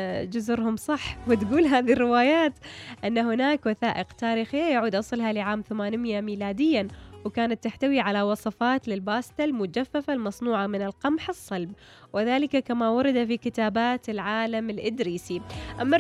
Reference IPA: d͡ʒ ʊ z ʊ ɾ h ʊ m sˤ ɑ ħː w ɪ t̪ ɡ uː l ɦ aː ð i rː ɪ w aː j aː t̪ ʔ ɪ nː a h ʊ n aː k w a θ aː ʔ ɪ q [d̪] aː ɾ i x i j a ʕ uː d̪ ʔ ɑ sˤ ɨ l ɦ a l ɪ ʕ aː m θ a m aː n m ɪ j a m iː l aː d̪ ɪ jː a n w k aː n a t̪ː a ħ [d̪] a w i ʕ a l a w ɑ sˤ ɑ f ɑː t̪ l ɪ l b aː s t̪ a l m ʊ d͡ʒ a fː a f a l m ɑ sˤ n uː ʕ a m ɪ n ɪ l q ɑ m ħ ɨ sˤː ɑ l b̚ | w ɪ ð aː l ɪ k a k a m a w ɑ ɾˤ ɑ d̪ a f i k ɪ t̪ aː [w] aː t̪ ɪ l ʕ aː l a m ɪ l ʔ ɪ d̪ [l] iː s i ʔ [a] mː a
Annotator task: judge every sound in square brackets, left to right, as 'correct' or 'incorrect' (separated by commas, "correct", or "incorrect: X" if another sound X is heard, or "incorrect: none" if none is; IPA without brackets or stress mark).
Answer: incorrect: t̪, incorrect: t̪, incorrect: b, incorrect: ɾ, correct